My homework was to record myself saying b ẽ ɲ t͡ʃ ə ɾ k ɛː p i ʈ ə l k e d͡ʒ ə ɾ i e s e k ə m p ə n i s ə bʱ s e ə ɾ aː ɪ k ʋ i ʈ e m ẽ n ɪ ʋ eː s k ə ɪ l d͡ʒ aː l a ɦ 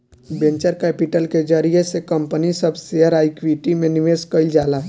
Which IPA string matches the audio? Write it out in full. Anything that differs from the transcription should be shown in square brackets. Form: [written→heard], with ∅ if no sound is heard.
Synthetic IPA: b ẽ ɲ t͡ʃ ə ɾ k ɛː p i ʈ ə l k e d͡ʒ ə ɾ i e s e k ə m p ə n i s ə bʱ s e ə ɾ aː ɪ k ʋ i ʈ [e→i] m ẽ n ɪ ʋ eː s k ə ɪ l d͡ʒ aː l a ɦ